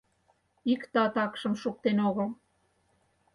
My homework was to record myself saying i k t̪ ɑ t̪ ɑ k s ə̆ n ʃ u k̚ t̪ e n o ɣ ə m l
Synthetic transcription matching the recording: i k t̪ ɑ t̪ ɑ k ʃ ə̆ m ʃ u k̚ t̪ e n o ɣ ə l